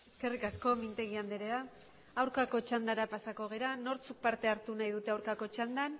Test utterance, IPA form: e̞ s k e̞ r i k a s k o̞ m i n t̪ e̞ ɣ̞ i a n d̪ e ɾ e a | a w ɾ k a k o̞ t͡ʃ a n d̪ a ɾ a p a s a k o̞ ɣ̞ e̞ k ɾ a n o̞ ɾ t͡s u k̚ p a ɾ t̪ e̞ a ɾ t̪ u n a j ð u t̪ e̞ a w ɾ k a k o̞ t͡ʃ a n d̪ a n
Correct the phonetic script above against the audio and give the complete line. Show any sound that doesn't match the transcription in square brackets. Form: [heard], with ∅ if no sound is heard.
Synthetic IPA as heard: e̞ s k e̞ r i k a s k o̞ m i n t̪ e̞ ɣ̞ i a n d̪ e ɾ e a | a w ɾ k a k o̞ t͡ʃ a n d̪ a ɾ a p a s a k o̞ ɣ̞ e̞ [∅] ɾ a n o̞ ɾ t͡s u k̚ p a ɾ t̪ e̞ a ɾ t̪ u n a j ð u t̪ e̞ a w ɾ k a k o̞ t͡ʃ a n d̪ a n